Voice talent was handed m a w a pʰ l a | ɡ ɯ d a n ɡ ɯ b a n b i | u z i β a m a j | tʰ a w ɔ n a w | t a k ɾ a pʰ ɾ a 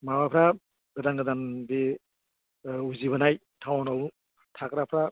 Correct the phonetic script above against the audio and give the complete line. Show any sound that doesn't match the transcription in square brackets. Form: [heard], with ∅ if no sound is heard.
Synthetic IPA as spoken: m a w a pʰ [ɾ] a | ɡ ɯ d a n ɡ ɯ [d] a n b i | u z i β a [n] a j | tʰ a w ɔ n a w | [tʰ] a k ɾ a pʰ ɾ a